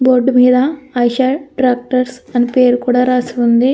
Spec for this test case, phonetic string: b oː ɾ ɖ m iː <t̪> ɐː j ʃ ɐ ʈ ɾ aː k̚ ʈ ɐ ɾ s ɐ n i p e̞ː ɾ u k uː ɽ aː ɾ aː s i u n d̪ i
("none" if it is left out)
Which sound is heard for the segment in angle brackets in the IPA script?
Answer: d̪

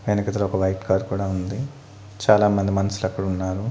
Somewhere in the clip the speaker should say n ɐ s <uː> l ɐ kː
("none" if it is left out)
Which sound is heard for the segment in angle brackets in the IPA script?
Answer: u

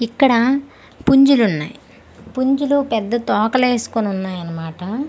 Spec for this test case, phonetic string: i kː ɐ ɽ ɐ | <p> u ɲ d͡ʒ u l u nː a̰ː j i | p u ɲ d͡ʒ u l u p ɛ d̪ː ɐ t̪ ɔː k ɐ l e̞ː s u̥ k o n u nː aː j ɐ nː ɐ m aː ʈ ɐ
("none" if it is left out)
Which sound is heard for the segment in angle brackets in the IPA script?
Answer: p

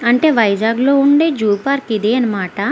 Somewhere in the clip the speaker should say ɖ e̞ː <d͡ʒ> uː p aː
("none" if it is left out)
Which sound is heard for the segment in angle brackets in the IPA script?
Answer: d͡ʒ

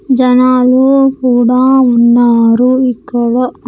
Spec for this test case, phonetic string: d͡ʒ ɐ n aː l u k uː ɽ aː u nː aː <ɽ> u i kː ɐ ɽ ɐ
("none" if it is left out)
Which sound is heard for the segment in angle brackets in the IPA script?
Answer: ɾ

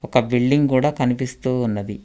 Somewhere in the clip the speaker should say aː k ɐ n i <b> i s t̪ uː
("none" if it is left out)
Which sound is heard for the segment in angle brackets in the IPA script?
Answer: p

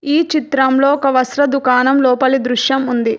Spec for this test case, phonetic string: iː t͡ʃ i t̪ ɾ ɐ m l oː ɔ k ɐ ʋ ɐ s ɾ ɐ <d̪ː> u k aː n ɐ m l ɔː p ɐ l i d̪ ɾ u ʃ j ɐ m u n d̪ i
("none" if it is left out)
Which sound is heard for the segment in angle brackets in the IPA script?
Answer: d̪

